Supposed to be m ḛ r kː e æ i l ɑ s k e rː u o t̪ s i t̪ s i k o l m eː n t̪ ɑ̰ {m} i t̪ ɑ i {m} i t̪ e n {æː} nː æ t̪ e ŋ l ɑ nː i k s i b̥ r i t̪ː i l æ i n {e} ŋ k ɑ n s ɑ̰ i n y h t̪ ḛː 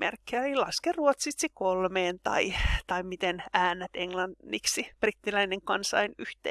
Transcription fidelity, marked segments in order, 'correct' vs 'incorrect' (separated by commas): incorrect, correct, correct, correct